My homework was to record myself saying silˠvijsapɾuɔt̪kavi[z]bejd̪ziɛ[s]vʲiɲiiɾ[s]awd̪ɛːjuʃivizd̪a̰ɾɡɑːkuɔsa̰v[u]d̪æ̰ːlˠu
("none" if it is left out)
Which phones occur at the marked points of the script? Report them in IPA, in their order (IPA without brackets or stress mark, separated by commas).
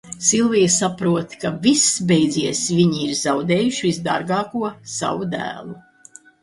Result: s, s, z, u